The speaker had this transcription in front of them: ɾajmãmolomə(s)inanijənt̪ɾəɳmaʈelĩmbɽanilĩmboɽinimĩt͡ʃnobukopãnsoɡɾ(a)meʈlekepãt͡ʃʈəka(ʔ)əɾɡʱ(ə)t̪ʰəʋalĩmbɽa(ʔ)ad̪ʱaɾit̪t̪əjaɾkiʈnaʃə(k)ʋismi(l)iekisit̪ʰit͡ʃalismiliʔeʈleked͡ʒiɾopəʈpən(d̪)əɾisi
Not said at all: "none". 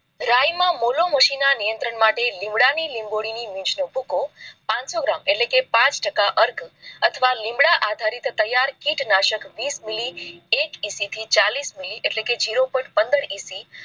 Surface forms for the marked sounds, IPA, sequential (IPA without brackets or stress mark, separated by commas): ʃ, a, ʔ, ə, ʔ, k, l, d̪